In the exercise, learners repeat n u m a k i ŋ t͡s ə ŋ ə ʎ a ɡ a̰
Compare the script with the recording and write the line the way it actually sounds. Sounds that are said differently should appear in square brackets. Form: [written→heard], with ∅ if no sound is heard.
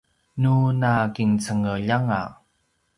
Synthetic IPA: n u [m→n] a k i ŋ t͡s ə ŋ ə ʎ a [ɡ→ŋ] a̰